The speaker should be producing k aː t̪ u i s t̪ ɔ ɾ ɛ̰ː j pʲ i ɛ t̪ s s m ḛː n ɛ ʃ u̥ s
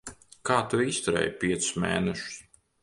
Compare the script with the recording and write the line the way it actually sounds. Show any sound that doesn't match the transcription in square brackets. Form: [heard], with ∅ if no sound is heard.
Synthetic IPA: k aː t̪ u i s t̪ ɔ ɾ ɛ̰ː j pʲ i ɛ t̪ s s m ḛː n ɛ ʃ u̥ s